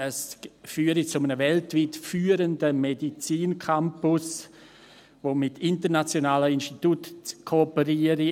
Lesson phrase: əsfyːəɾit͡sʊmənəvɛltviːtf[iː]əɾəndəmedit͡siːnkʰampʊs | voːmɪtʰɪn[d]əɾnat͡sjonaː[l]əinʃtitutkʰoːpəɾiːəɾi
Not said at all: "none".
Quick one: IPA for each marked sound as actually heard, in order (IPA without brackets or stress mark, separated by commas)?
yː, t, l